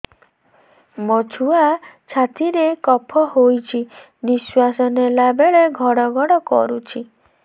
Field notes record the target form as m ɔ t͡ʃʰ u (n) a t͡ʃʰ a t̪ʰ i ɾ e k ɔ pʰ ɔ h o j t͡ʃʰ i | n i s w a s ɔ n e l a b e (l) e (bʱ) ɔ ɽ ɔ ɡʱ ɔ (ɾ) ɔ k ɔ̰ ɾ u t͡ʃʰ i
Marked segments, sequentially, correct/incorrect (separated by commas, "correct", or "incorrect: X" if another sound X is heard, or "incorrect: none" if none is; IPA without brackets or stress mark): incorrect: none, incorrect: ɭ, incorrect: ɡʱ, incorrect: ɽ